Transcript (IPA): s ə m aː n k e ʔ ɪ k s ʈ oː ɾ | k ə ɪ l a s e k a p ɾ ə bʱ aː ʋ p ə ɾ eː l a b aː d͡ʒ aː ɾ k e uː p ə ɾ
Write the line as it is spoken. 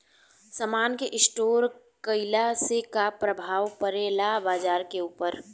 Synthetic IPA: s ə m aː n k e ʔ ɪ s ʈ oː ɾ | k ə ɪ l a s e k a p ɾ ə bʱ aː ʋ p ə ɾ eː l a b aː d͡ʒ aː ɾ k e uː p ə ɾ

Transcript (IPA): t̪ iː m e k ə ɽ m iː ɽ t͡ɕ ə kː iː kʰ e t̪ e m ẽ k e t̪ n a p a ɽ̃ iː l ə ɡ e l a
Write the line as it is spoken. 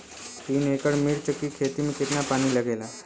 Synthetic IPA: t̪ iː n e k ə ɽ m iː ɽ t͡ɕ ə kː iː kʰ e t̪ i m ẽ k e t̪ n a p a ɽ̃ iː l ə ɡ e l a

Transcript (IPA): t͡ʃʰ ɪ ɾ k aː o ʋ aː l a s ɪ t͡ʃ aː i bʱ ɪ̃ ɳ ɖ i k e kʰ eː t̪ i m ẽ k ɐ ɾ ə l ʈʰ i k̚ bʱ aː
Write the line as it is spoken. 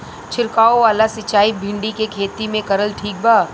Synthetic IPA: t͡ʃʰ ɪ ɾ k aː o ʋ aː l a s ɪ t͡ʃ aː i bʱ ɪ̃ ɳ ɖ i k e kʰ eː t̪ i m ẽ k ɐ ɾ ə l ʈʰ iː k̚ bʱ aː

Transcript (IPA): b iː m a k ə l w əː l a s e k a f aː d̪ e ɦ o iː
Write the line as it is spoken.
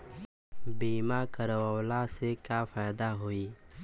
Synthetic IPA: b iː m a k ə ɾ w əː l a s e k a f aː d̪ a ɦ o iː

